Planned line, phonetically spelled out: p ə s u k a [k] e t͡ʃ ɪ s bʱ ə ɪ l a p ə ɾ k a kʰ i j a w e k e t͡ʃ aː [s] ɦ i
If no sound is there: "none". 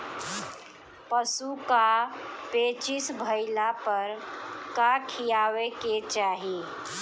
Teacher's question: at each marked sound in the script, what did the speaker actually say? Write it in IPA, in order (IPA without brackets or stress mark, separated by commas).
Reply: p, none